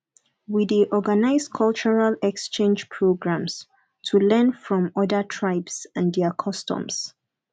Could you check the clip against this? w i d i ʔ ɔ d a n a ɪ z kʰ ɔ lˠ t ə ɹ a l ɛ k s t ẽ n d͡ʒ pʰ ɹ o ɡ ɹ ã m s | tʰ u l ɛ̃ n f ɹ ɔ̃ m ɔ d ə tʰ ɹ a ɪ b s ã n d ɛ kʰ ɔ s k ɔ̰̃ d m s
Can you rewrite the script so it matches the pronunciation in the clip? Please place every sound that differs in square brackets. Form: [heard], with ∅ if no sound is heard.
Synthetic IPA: w i d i ʔ ɔ [ɡ] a n a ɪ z kʰ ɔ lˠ [t͡ʃ] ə ɹ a l ɛ k s [t͡ʃ] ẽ n d͡ʒ pʰ ɹ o ɡ ɹ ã m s | tʰ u l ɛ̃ n f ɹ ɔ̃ m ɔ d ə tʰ ɹ a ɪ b s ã n d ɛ kʰ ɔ s [t] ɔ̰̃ [∅] m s

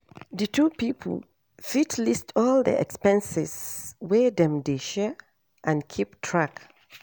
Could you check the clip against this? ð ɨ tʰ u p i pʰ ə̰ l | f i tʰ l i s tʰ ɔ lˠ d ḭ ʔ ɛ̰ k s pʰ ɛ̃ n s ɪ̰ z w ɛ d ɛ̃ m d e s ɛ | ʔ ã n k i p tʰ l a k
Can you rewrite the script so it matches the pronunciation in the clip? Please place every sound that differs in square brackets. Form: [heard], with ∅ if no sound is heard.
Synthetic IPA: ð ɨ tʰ u p i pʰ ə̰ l | f i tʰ l i s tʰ ɔ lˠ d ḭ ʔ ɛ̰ k s [p] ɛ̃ n s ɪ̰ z w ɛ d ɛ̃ m d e [ʃ] ɛ | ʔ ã n [kʰ] i p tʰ [ɹ] a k

